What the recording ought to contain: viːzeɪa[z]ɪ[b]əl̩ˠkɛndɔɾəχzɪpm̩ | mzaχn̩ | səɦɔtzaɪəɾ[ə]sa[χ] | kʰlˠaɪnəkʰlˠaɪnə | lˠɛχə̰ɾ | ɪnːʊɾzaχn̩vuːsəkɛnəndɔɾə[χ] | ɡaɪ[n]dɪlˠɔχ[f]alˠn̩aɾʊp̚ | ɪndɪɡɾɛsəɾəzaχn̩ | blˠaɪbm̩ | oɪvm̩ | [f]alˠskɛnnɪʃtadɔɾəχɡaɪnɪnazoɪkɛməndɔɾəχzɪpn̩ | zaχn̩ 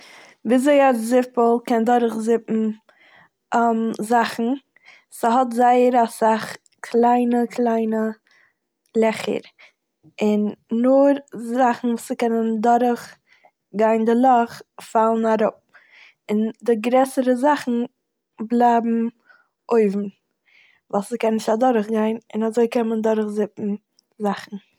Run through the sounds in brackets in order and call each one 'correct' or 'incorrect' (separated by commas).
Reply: correct, incorrect, incorrect, correct, correct, correct, correct, incorrect